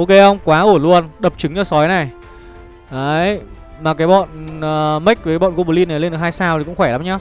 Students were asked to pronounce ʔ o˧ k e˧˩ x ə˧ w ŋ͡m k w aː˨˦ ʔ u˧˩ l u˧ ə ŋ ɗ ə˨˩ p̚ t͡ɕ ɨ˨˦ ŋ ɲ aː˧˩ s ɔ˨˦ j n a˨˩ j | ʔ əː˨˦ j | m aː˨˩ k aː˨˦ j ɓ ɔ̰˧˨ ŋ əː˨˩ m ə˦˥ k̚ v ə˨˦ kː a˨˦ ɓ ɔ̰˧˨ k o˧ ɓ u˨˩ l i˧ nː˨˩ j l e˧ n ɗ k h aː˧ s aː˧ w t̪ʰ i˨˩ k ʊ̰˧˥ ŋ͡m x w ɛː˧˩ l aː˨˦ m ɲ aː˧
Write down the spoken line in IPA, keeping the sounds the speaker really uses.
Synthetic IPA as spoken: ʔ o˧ k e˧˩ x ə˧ w ŋ͡m k w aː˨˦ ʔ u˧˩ l u˧ ə n ɗ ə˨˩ p̚ t͡ɕ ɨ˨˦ ŋ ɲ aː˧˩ s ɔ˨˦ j n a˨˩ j | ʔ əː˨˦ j | m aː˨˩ k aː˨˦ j ɓ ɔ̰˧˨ n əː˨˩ m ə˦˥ k̚ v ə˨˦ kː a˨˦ ɓ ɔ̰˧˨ k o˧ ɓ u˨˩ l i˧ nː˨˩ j l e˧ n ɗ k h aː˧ s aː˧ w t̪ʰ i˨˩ k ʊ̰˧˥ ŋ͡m x w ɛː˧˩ l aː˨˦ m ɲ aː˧